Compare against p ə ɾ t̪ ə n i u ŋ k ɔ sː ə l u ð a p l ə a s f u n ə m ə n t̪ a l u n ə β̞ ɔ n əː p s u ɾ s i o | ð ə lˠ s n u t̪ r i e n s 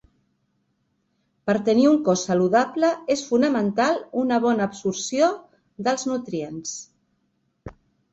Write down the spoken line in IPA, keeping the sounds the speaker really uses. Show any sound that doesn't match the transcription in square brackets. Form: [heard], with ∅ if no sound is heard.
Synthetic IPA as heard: p ə ɾ t̪ ə n i u ŋ k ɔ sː ə l u ð a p l ə [e] s f u n ə m ə n t̪ a l u n ə β̞ ɔ n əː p s u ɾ s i o | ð ə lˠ [z] n u t̪ [ɾ] i e n s